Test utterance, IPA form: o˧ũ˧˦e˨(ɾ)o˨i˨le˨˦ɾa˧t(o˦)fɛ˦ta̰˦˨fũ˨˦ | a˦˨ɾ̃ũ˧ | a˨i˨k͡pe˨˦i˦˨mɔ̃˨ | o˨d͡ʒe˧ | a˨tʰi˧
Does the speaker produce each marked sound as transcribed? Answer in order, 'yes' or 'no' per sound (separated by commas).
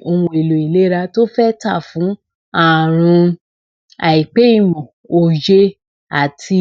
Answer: no, yes